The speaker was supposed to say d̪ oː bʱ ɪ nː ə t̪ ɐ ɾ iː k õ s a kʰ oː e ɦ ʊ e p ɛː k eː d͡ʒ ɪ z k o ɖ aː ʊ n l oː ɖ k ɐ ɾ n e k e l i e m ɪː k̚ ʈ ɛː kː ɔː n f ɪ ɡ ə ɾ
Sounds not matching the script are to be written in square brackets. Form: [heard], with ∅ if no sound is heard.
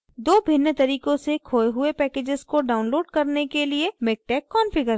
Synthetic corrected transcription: d̪ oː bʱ ɪ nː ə t̪ ɐ ɾ iː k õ s [e] kʰ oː e ɦ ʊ e p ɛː k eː d͡ʒ ɪ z k o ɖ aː ʊ n l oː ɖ k ɐ ɾ n e k e l i e m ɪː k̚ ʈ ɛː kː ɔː n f ɪ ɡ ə ɾ